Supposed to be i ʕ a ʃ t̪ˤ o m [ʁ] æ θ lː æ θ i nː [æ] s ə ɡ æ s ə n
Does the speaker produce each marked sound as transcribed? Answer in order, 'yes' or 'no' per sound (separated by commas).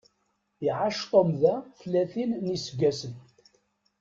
no, no